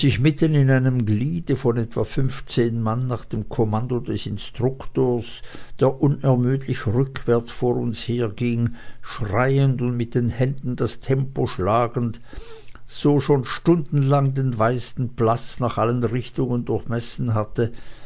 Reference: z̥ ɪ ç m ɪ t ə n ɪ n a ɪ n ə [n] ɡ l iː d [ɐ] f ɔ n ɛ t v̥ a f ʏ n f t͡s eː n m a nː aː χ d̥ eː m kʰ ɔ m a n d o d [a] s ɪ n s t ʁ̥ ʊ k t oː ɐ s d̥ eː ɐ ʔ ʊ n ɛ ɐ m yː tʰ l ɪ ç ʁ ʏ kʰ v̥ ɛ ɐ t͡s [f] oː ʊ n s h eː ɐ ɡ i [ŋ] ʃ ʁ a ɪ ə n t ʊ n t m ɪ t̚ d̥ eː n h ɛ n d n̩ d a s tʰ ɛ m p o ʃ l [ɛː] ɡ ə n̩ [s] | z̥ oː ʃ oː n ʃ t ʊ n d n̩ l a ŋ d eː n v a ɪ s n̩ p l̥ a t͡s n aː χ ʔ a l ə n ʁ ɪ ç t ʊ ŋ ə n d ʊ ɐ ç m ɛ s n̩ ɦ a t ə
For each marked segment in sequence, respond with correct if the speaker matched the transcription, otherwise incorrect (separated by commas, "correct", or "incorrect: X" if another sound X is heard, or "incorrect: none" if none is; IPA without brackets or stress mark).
incorrect: m, incorrect: ə, incorrect: ɛ, correct, correct, incorrect: aː, incorrect: t